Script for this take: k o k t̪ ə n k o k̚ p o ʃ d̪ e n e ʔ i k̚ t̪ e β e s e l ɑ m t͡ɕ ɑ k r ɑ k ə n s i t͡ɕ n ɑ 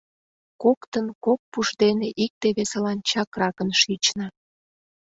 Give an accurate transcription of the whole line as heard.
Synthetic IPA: k o k t̪ ə n k o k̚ p u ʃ d̪ e n e ʔ i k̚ t̪ e β e s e l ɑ n t͡ɕ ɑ k r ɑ k ə n ʃ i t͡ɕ n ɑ

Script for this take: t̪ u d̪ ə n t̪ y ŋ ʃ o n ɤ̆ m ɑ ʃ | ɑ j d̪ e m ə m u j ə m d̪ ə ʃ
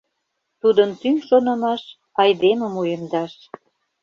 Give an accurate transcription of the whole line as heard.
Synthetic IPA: t̪ u d̪ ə n t̪ y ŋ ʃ o n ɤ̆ m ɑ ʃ | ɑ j d̪ e m ə m u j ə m d̪ ɑ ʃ

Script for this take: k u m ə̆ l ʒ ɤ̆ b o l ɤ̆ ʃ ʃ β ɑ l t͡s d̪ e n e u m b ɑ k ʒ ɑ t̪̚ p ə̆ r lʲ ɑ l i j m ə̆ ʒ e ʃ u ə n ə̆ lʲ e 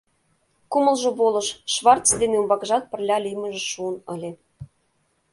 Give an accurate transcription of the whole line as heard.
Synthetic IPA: k u m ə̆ l ʒ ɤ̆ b o l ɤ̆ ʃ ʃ β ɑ r t͡s d̪ e n e u m b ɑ k ʒ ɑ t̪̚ p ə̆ r lʲ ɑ l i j m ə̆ ʒ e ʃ u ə n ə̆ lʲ e

